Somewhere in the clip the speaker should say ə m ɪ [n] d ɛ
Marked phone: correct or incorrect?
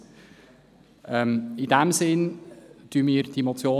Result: correct